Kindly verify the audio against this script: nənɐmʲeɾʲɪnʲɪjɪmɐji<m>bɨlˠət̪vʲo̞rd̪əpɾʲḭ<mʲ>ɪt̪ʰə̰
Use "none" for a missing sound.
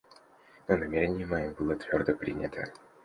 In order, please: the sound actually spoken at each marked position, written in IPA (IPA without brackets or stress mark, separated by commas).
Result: m, nʲ